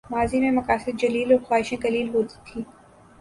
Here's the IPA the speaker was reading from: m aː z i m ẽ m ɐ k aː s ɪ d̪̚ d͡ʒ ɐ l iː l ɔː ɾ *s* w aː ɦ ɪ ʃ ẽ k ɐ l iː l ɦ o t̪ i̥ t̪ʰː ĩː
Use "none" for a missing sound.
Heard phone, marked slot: x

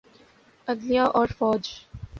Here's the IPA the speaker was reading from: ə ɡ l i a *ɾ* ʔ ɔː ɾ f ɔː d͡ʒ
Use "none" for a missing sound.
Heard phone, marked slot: none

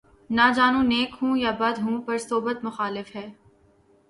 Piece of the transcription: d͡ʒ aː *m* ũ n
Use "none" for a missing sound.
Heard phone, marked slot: n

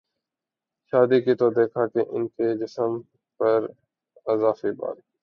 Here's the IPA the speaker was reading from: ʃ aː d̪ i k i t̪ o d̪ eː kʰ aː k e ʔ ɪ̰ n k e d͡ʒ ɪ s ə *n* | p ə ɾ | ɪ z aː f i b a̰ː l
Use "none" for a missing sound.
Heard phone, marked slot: m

